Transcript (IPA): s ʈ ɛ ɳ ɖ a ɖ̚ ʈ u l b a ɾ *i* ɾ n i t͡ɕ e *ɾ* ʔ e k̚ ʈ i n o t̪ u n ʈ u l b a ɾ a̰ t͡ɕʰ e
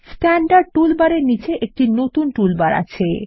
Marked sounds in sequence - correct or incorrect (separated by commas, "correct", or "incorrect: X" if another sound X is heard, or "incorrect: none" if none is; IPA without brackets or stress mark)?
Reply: incorrect: e, incorrect: none